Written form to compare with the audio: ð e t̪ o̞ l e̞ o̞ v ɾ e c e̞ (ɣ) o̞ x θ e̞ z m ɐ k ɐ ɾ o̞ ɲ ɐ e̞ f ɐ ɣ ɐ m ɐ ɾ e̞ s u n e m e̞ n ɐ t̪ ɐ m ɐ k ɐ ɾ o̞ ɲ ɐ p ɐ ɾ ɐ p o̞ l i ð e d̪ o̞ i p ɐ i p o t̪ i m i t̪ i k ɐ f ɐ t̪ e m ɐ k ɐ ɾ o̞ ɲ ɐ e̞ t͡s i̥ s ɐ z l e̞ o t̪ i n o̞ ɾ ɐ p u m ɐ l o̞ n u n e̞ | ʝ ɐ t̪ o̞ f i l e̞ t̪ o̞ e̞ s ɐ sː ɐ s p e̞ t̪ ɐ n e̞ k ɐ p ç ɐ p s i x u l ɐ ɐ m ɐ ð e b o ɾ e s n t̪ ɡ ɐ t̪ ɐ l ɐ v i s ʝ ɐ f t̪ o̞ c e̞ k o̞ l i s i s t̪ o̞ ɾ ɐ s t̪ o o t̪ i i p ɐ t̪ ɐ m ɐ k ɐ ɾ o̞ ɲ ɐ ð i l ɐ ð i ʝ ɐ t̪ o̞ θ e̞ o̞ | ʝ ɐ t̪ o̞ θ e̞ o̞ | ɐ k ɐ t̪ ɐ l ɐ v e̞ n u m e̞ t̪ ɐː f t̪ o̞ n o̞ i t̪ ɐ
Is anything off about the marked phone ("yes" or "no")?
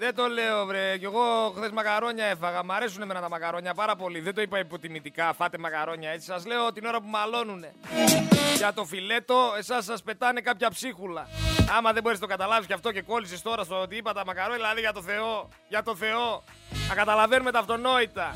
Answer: no